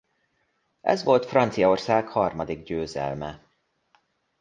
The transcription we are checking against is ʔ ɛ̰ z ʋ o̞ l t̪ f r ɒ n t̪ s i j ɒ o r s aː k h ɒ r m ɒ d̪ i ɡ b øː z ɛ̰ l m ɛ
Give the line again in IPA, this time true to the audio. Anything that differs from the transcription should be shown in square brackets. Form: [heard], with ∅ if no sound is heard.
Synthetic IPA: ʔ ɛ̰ z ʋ o̞ l t̪ f r ɒ n t̪ s i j ɒ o r s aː k h ɒ r m ɒ d̪ i ɡ [ɟ] øː z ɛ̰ l m ɛ